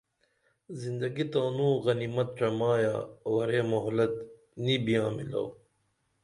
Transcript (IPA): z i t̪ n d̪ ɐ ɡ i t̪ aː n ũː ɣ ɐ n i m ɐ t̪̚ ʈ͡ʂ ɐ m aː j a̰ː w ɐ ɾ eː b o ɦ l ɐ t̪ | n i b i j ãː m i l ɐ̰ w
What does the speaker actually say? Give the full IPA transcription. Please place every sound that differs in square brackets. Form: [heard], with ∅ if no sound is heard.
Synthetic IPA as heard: z i [∅] n d̪ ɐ ɡ i t̪ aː n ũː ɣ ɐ n i m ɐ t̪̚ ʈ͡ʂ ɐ m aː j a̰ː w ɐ ɾ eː [m] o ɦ l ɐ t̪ | n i b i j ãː m i l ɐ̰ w